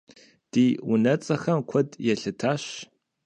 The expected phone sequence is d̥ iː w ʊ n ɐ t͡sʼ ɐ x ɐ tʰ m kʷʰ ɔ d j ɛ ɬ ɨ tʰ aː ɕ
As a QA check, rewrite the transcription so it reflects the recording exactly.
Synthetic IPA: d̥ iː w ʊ n ɐ t͡sʼ ɐ x ɐ m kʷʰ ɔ d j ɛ ɬ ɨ tʰ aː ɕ